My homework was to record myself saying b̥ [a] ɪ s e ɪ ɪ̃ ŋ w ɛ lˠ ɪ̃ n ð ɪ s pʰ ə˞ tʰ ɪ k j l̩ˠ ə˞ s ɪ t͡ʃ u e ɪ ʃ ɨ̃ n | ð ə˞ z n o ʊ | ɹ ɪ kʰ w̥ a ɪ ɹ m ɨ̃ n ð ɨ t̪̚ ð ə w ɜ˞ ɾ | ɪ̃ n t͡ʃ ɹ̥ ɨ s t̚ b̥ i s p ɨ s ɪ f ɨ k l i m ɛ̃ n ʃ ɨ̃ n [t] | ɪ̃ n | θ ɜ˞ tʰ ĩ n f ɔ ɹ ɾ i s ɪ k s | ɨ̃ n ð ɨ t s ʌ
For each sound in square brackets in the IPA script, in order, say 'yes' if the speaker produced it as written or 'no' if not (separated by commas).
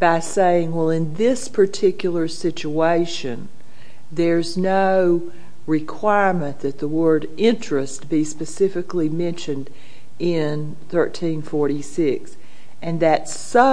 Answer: yes, no